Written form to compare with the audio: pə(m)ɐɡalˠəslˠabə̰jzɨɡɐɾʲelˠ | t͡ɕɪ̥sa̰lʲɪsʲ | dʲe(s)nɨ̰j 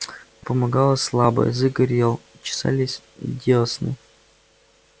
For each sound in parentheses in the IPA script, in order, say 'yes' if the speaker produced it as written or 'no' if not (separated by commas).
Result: yes, yes